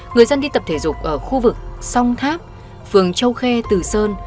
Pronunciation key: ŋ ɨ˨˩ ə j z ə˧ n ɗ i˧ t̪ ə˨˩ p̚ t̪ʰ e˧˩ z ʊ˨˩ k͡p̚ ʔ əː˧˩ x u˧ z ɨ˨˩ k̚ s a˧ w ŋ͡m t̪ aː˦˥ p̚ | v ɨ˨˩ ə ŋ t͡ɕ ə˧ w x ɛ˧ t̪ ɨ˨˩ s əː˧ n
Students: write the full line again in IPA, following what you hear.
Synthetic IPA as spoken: ŋ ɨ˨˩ ə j z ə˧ n ɗ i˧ t̪ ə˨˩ p̚ t̪ʰ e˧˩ z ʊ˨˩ k͡p̚ ʔ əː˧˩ x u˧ v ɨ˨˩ k̚ s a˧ w ŋ͡m t̪ʰ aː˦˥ p̚ | f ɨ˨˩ ə ŋ t͡ɕ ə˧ w x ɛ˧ t̪ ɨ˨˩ s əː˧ n